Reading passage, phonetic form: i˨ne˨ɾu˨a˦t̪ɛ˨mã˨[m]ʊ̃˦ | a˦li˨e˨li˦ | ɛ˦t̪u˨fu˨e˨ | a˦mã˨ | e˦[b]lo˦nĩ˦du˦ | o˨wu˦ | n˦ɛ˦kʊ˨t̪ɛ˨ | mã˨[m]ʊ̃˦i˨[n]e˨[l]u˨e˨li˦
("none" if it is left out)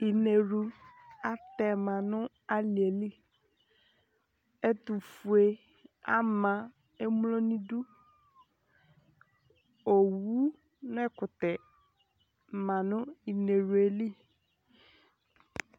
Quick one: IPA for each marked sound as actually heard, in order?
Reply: n, m, n, n, ɾ

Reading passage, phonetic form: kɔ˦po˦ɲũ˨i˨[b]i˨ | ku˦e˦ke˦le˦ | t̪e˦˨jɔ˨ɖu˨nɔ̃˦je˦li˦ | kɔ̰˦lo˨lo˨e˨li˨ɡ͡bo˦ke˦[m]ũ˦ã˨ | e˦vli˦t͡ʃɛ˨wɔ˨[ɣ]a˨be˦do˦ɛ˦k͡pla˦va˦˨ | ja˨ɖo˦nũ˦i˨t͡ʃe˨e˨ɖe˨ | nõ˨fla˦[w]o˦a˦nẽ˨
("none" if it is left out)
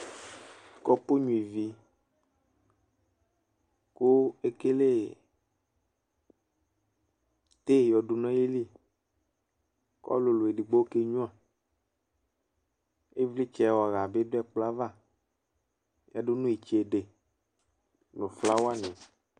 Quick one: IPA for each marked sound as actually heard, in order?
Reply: v, ɲ, ɣ, w

